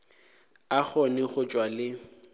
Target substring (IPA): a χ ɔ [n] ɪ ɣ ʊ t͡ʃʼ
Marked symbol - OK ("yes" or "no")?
yes